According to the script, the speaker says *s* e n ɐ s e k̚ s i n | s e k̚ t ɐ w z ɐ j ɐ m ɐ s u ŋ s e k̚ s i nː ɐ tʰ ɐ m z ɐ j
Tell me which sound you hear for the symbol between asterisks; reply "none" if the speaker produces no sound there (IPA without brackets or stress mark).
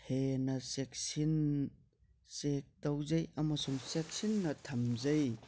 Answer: h